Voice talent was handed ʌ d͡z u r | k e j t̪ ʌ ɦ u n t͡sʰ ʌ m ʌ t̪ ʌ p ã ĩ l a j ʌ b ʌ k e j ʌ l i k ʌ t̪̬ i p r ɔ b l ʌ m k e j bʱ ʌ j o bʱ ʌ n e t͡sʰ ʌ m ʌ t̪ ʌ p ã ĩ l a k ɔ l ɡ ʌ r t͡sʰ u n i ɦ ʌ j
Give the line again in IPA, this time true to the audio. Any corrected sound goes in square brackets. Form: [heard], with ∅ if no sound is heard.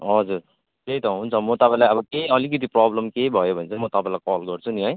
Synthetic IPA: ʌ d͡z u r | k e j t̪ ʌ ɦ u n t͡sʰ ʌ m ʌ t̪ ʌ p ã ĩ l a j ʌ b ʌ k e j ʌ l i k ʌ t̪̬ i p r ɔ b l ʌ m k e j bʱ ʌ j o bʱ ʌ n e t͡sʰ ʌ m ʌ t̪ ʌ p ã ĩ l a k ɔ l ɡ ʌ r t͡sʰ u n i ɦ ʌ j